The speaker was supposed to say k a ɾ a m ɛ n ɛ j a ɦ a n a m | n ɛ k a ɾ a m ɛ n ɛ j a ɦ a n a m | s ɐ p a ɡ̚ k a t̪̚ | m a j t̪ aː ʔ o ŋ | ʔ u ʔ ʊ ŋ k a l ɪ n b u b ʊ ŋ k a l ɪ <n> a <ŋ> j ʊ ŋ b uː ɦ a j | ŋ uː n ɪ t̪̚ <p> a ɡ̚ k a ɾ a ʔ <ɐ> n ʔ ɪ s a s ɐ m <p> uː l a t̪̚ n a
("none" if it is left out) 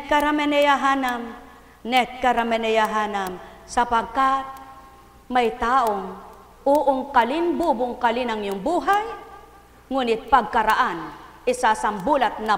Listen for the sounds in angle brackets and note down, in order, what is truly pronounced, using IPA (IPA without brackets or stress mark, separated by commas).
n, ŋ, p, a, b